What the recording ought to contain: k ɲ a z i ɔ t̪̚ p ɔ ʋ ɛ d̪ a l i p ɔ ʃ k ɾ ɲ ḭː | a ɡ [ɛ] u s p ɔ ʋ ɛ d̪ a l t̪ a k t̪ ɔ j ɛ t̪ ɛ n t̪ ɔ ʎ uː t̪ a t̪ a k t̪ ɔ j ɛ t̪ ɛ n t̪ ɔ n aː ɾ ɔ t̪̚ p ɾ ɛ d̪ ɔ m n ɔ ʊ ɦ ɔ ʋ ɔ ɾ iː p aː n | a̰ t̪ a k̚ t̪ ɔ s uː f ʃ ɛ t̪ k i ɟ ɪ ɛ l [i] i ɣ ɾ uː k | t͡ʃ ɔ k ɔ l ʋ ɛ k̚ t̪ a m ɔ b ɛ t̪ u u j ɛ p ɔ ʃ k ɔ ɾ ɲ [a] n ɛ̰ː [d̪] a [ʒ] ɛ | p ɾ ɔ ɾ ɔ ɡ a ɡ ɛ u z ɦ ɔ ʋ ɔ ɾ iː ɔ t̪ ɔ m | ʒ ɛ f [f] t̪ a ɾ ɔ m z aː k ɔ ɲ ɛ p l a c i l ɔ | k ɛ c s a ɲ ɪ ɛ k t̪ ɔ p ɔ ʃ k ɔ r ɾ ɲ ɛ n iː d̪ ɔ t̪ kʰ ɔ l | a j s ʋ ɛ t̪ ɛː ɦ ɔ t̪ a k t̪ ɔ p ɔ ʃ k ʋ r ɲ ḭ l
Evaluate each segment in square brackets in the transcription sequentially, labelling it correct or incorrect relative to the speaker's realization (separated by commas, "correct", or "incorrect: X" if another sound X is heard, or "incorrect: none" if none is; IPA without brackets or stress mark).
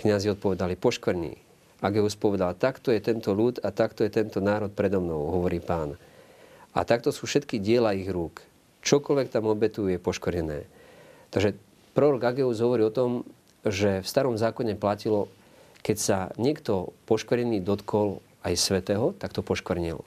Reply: correct, incorrect: a, incorrect: ɛ, incorrect: t̪, correct, incorrect: s